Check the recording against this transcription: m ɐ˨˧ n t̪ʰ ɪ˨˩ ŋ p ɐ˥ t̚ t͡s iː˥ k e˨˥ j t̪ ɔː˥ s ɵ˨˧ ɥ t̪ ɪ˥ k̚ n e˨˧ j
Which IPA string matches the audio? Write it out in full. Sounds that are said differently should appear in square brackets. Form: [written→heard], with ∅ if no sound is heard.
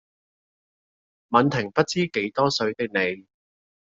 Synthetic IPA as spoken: m ɐ˨˧ n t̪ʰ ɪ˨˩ ŋ p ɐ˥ t̚ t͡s iː˥ k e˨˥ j t̪ ɔː˥ s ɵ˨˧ ɥ t̪ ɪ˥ k̚ n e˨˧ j